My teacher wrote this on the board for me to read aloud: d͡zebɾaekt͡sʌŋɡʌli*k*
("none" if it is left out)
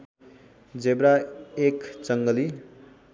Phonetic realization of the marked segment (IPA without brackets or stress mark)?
none